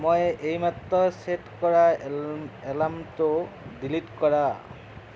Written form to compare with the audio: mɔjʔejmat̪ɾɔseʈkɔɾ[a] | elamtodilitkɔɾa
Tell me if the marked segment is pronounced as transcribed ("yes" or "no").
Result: yes